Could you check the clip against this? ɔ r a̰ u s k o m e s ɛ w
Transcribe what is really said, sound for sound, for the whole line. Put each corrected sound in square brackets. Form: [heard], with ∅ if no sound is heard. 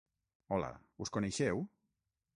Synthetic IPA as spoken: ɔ [l] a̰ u s k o [n] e [ʃ] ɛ w